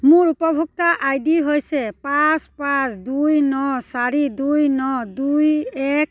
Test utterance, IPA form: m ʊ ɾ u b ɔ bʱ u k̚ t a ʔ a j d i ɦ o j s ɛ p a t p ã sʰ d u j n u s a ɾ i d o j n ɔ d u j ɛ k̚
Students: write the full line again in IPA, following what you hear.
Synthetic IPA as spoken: m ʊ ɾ u p ɔ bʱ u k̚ t a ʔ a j d i ɦ o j s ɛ p a s p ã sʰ d u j n ɔ s a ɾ i d u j n ɔ d u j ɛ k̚